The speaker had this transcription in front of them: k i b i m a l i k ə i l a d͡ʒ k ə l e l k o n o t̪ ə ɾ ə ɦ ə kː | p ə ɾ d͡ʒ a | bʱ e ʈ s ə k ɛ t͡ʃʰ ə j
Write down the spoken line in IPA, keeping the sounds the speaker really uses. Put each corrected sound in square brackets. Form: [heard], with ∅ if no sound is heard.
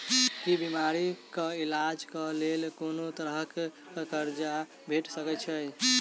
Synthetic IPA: k i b i m a [ɾ] i k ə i l a d͡ʒ k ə l e l k o n o t̪ ə ɾ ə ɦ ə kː | [k] ə ɾ d͡ʒ a | bʱ e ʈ s ə k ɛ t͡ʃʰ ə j